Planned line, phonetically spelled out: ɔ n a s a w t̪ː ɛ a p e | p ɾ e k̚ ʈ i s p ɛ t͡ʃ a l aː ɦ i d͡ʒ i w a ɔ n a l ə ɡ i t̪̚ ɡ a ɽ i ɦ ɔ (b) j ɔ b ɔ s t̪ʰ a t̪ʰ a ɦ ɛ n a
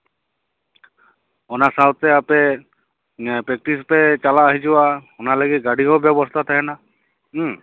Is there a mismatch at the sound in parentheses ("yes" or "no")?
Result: no